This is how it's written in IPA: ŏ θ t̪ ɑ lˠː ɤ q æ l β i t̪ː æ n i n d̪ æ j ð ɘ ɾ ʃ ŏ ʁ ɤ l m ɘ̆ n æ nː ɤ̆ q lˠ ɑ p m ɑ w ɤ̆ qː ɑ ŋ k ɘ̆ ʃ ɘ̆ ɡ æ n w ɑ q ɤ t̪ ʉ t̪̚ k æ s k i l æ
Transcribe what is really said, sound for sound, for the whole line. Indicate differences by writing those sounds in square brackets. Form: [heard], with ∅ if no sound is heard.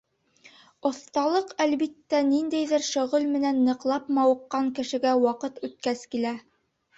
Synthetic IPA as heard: ŏ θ t̪ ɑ [lˠ] ɤ q æ l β i t̪ː æ n i n d̪ æ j ð ɘ ɾ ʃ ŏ ʁ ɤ l m ɘ̆ n æ nː ɤ̆ q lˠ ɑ p m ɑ w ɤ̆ qː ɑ ŋ k ɘ̆ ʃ ɘ̆ ɡ æ [∅] w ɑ q ɤ t̪ ʉ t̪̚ k æ s k i l æ

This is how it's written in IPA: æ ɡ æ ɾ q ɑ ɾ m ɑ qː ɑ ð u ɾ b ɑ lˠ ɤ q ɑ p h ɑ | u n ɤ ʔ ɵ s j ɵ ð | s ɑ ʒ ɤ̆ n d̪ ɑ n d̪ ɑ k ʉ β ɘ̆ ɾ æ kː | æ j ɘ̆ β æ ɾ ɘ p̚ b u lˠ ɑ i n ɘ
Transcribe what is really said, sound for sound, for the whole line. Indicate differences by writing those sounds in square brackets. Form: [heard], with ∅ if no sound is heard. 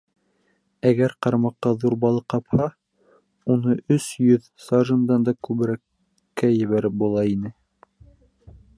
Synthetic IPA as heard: æ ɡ æ ɾ q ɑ ɾ m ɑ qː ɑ ð u ɾ b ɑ lˠ ɤ q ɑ p h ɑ | u n ɤ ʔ ɵ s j ɵ ð | s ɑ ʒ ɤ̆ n d̪ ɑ n d̪ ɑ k ʉ β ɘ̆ ɾ æ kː | æ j ɘ̆ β æ ɾ ɘ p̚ b u lˠ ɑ i n ɘ

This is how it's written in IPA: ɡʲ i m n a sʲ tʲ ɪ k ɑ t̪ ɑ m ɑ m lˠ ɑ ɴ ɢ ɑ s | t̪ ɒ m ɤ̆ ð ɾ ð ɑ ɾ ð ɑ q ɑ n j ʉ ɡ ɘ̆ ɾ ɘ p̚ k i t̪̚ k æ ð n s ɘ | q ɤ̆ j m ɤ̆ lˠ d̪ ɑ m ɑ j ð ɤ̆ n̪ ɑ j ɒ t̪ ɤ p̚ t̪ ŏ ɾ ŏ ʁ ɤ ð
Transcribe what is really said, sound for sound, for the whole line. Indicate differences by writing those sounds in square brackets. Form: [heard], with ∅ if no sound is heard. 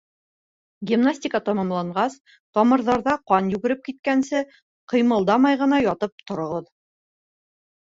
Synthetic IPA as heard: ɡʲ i m n a sʲ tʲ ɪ k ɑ t̪ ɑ m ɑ m lˠ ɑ ɴ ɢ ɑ s | t̪ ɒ m ɤ̆ [∅] ɾ ð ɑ ɾ ð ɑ q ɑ n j ʉ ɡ ɘ̆ ɾ ɘ p̚ k i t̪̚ k æ [∅] n s ɘ | q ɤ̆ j m ɤ̆ lˠ d̪ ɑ m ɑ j [ʁ] ɤ̆ n̪ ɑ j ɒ t̪ ɤ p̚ t̪ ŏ ɾ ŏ ʁ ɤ ð

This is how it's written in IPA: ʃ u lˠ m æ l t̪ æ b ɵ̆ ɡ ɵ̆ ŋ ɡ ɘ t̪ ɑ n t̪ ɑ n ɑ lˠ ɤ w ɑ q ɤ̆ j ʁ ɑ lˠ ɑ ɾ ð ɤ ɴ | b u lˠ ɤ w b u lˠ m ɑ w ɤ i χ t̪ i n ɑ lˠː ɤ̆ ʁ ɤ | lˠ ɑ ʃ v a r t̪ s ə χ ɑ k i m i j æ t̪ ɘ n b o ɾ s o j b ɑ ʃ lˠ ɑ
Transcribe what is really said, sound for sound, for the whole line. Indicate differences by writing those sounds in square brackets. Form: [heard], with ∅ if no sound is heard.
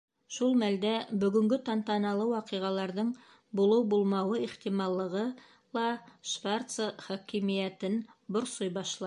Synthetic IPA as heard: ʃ u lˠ m æ l [d̪] æ b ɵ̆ ɡ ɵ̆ ŋ ɡ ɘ t̪ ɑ n t̪ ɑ n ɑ lˠ ɤ w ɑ q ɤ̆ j ʁ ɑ lˠ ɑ ɾ ð ɤ ɴ | b u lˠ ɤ w b u lˠ m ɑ w ɤ i χ t̪ i [m] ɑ lˠː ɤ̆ ʁ ɤ | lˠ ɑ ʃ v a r t̪ s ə χ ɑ k i m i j æ t̪ ɘ n b o ɾ s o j b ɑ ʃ lˠ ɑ

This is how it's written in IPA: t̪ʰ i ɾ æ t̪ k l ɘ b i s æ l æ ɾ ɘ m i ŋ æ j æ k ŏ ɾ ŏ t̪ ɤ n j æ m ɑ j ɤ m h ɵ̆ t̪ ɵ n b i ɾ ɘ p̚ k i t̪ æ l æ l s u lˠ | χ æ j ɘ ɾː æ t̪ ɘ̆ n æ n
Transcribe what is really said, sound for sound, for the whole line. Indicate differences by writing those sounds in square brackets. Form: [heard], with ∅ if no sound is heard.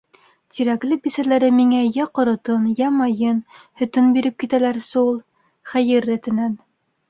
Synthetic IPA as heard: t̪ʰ i ɾ æ [∅] k l ɘ b i s æ l æ ɾ ɘ m i ŋ æ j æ [q] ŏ ɾ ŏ t̪ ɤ n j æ m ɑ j ɤ [n] h ɵ̆ t̪ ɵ n b i ɾ ɘ p̚ k i t̪ æ l æ [ɾ] s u lˠ | χ æ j ɘ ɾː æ t̪ ɘ̆ n æ n

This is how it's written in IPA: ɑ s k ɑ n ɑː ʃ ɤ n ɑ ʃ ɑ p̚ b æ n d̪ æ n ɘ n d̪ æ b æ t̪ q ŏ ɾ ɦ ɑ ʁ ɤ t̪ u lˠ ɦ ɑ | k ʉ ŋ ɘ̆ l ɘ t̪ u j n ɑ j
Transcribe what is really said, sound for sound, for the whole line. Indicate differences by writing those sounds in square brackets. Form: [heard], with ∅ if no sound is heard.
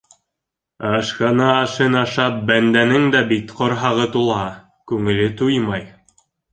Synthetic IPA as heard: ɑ [ʃ] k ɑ n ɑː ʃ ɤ n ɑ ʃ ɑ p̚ b æ n d̪ æ n ɘ [ŋ] d̪ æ b [i] t̪ q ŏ ɾ ɦ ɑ ʁ ɤ t̪ u lˠ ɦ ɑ | k ʉ ŋ ɘ̆ l ɘ t̪ u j [m] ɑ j

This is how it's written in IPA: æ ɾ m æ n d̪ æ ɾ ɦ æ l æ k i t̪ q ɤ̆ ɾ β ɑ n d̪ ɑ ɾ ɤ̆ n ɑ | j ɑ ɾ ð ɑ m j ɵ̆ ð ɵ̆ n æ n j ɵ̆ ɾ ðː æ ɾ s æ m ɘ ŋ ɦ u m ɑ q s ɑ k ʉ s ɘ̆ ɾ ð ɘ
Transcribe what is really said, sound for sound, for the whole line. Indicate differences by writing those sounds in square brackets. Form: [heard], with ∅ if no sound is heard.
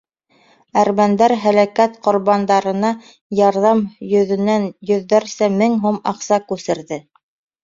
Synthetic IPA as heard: æ ɾ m æ n d̪ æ ɾ ɦ æ l æ k [æ] t̪ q [ŏ] ɾ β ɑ n d̪ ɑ ɾ ɤ̆ n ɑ | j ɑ ɾ ð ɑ m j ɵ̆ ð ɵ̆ n æ n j ɵ̆ [∅] ðː æ ɾ s æ m ɘ ŋ ɦ u m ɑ q s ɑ k ʉ s ɘ̆ ɾ ð ɘ

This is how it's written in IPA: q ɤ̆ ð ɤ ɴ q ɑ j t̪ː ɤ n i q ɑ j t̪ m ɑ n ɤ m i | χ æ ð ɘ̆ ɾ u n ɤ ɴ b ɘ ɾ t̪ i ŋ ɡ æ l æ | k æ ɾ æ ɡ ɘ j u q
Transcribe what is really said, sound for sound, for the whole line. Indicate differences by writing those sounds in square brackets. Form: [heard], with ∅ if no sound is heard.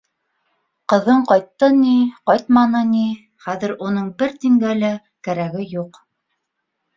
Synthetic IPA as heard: q ɤ̆ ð ɤ ɴ q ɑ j t̪ː ɤ n i q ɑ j t̪ m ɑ n ɤ [n] i | χ æ ð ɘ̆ ɾ u n ɤ ɴ b ɘ ɾ t̪ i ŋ ɡ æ l æ | k æ ɾ æ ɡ ɘ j u q

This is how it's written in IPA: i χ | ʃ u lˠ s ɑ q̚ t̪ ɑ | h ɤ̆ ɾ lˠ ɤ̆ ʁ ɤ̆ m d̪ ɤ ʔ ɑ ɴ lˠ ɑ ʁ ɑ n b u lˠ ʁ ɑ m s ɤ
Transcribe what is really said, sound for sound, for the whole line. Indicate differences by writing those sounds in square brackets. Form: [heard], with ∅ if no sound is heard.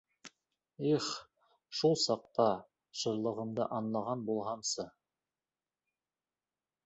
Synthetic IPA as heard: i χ | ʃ u lˠ s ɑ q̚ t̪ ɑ | [ʃ] ɤ̆ ɾ lˠ ɤ̆ ʁ ɤ̆ m d̪ ɤ ʔ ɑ [n] lˠ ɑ ʁ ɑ n b u lˠ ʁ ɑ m s ɤ

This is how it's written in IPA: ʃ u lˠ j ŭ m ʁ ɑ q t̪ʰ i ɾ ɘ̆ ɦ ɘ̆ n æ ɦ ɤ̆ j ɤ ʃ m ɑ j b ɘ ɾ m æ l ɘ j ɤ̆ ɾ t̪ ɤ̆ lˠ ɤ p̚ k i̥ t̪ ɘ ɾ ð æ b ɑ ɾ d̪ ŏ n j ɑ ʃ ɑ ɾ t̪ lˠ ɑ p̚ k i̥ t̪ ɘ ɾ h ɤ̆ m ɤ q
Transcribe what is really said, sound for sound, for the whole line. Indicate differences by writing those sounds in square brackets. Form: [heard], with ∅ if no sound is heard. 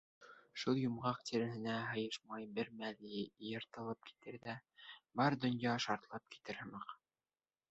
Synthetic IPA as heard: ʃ u lˠ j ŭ m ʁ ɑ q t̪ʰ i ɾ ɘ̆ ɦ ɘ̆ n æ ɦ ɤ̆ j ɤ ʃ m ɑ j b ɘ ɾ m æ l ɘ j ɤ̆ ɾ t̪ ɤ̆ lˠ ɤ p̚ k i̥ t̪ ɘ ɾ ð æ b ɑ ɾ d̪ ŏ n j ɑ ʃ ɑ ɾ t̪ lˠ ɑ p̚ k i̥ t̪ ɘ ɾ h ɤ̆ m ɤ q

